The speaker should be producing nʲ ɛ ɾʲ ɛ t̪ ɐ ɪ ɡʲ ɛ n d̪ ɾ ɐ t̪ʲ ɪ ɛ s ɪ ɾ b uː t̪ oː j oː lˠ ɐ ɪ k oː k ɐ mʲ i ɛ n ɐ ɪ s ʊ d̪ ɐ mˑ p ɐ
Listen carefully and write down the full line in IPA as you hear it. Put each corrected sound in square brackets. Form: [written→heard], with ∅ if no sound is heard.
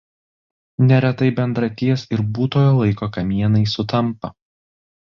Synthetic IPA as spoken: nʲ ɛ ɾʲ ɛ t̪ ɐ ɪ [ɡʲ→bʲ] ɛ n d̪ ɾ ɐ t̪ʲ [ɪ→i] ɛ s ɪ ɾ b uː t̪ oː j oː lˠ ɐ ɪ k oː k ɐ mʲ i ɛ n ɐ ɪ s ʊ [d̪→t̪] ɐ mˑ p ɐ